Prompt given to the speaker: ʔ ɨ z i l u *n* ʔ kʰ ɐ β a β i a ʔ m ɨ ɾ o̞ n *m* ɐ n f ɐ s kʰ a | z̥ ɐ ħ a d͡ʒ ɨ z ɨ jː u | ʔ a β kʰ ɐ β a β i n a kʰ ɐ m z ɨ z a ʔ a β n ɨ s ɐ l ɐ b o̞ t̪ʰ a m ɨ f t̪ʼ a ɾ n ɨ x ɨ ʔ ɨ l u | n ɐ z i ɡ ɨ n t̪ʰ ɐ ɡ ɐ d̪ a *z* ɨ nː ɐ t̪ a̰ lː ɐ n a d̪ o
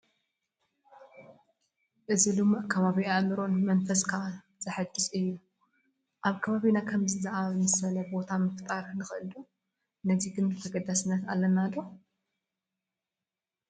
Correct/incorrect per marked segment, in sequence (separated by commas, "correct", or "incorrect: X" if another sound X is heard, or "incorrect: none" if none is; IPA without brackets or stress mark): incorrect: m, correct, incorrect: s